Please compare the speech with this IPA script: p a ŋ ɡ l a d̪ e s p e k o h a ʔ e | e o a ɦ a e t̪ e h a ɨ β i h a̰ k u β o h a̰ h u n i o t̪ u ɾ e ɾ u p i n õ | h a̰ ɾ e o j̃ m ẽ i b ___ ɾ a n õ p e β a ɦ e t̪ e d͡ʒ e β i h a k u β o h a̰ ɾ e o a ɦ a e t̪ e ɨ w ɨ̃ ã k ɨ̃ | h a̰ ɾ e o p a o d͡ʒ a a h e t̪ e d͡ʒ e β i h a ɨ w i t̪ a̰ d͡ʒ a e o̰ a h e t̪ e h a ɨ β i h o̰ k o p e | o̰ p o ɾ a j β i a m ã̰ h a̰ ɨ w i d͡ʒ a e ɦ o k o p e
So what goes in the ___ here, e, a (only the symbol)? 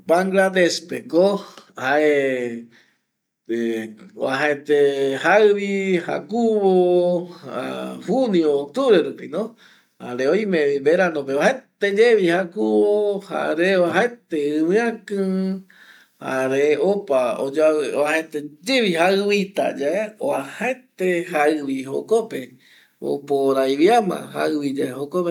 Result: e